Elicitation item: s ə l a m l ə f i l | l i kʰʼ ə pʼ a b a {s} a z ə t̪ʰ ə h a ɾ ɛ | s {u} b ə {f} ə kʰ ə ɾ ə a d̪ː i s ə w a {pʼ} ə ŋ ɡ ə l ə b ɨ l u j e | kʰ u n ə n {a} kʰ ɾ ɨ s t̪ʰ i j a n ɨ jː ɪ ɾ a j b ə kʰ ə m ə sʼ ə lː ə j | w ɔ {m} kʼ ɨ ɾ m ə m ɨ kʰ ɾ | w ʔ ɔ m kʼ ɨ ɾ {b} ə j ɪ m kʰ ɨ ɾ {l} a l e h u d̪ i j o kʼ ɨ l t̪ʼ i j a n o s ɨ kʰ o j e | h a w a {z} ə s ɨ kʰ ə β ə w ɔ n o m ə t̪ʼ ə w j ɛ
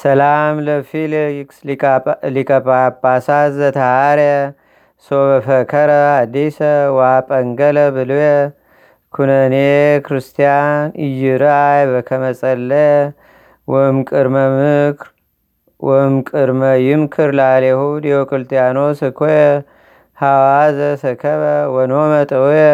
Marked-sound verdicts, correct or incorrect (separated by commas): correct, incorrect, correct, correct, incorrect, correct, incorrect, correct, correct